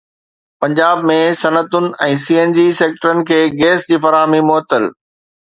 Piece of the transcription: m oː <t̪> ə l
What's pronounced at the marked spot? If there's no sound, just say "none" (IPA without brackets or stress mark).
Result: t̪